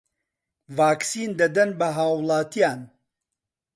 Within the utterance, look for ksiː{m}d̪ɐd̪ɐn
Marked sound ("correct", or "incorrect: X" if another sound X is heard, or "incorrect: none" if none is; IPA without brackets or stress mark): incorrect: n